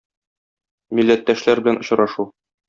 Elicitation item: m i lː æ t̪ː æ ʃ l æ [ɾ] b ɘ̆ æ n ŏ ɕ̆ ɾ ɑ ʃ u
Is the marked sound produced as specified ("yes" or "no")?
yes